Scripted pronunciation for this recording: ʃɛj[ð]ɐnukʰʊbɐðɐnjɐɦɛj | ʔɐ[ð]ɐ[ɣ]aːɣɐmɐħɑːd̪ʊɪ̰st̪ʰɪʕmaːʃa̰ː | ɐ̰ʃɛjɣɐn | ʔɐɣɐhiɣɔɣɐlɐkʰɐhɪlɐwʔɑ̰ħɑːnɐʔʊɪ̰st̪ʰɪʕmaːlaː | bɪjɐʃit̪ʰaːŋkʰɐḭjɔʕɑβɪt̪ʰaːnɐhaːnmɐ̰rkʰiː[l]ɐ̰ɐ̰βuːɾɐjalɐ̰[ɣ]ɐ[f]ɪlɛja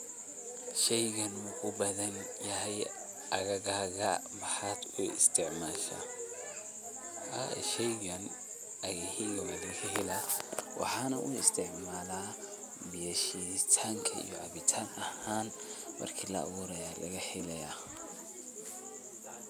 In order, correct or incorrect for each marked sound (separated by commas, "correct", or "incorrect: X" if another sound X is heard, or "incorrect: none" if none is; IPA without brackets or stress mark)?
incorrect: ɣ, incorrect: ɣ, correct, correct, correct, incorrect: ħ